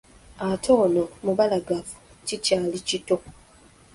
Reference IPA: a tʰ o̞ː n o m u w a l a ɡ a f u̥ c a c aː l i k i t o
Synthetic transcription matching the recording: a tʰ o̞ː n o m u β a l a ɡ a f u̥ c i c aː l i c i t o